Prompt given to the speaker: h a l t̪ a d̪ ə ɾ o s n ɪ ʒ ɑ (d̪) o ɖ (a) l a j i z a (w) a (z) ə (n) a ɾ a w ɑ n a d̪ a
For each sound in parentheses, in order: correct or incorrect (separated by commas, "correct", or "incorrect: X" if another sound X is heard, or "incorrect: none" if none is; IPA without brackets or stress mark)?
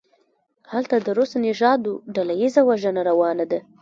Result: correct, correct, correct, incorrect: ʒ, correct